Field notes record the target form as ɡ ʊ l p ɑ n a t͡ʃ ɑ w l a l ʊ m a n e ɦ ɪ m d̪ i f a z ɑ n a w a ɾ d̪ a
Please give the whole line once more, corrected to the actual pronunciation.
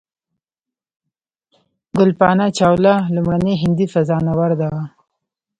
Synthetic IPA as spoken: ɡ ʊ l p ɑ n a t͡ʃ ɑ w l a l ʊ m a n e ɦ ɪ n d̪ i f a z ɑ n a w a ɾ d̪ a